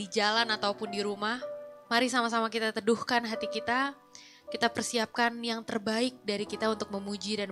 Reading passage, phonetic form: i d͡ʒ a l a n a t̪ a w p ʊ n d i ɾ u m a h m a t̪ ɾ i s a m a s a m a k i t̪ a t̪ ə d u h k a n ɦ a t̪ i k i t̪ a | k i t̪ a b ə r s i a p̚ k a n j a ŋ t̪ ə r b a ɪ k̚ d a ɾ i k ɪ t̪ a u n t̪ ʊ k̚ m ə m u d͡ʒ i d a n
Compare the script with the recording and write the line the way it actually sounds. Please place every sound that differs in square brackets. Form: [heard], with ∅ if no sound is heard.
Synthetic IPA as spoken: i d͡ʒ a l a n a t̪ a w p ʊ n d i ɾ u m a h m a [∅] ɾ i s a m a s a m a k i t̪ a t̪ ə d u h k a n ɦ a t̪ i k i t̪ a | k i t̪ a [p] ə r s i a p̚ k a n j a ŋ t̪ ə r b a ɪ k̚ d a ɾ i k [i] t̪ a u n t̪ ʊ k̚ m ə m u d͡ʒ i d a n